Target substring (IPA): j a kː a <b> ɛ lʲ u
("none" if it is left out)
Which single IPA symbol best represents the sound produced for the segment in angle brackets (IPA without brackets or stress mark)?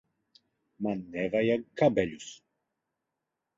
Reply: b